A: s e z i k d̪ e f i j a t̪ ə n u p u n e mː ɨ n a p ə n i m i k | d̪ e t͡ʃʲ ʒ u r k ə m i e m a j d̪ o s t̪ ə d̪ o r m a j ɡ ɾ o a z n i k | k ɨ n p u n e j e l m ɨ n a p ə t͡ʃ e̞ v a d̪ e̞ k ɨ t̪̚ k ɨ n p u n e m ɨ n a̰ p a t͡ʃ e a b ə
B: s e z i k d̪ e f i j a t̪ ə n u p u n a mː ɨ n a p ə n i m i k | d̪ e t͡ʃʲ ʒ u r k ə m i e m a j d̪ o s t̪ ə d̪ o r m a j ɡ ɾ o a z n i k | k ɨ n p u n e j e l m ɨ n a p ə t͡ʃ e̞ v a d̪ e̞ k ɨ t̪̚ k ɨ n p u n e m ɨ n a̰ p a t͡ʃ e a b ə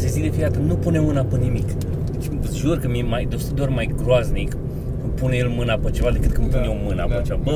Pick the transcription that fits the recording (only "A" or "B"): A